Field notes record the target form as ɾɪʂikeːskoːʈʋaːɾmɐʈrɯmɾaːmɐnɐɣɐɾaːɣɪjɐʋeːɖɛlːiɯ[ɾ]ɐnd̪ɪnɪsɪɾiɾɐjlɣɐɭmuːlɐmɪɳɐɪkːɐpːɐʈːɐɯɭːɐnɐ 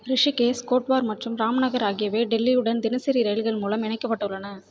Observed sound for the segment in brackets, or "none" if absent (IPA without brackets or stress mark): ɽ